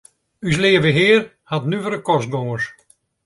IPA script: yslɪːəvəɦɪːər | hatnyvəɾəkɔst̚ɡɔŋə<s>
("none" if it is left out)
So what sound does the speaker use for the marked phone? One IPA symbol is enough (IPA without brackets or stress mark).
s